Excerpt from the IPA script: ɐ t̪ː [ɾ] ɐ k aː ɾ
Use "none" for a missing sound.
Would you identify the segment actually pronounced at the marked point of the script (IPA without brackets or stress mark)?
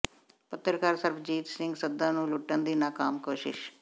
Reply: ɾ